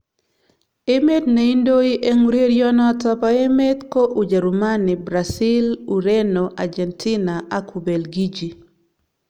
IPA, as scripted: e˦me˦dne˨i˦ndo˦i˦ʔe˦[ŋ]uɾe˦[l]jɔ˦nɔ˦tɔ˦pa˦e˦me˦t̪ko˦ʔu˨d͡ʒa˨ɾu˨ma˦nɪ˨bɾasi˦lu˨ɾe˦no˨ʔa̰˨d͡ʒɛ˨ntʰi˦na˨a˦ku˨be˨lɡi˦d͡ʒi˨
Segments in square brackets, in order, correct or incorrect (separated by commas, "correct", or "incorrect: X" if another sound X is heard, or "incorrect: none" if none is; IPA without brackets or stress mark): correct, incorrect: ɾ